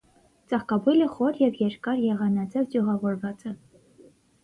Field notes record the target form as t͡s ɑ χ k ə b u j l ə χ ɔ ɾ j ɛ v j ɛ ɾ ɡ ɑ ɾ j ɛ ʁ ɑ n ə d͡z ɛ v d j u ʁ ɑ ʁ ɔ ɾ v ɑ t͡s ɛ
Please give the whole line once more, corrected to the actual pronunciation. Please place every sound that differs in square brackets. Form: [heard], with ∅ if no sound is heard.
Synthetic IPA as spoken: t͡s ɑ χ k [ɑ] b u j l ə χ ɔ ɾ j ɛ v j ɛ ɾ [k] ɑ ɾ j ɛ ʁ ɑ n [ɑ] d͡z ɛ v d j u ʁ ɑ [v] ɔ ɾ v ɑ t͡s ɛ